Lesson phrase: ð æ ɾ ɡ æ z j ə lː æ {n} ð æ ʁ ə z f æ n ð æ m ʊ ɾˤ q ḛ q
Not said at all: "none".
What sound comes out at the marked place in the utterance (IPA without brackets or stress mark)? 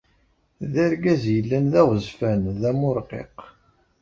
n